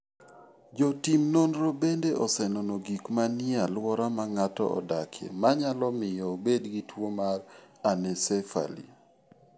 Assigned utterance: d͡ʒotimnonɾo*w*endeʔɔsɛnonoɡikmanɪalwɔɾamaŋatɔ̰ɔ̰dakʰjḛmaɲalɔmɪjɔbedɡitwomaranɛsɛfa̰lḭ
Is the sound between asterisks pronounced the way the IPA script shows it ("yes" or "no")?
no